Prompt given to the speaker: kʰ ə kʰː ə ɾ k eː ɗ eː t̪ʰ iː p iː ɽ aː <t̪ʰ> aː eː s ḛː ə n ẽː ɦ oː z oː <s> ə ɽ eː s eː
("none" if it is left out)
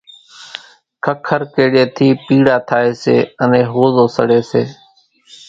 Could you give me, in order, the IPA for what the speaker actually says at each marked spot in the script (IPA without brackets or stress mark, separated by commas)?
t̪ʰ, s